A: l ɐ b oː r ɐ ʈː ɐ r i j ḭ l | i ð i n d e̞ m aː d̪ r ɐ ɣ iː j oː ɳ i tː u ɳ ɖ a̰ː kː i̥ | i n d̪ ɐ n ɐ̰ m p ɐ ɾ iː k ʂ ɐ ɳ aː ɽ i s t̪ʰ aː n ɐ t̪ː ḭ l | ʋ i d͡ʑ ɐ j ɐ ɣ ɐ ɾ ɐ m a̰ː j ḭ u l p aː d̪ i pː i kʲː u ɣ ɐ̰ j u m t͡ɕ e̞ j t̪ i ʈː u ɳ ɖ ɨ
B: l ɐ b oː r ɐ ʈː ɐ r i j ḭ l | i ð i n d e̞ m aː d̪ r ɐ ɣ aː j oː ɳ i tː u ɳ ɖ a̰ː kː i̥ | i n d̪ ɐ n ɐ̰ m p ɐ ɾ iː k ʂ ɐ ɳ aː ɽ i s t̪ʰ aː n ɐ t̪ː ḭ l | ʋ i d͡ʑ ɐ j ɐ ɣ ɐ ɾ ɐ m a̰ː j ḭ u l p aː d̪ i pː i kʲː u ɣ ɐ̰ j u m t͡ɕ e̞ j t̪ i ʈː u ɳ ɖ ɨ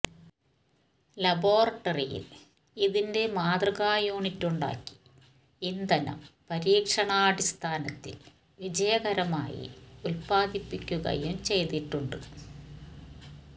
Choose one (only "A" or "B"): B